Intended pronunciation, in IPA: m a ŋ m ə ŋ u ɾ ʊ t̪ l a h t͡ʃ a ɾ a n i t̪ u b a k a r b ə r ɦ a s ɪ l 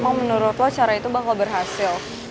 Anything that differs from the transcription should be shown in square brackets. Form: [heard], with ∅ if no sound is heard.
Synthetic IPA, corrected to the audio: m a ŋ m ə [n] u ɾ ʊ t̪ l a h t͡ʃ a ɾ a [∅] i t̪ u b a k a [l] b ə r ɦ a s ɪ l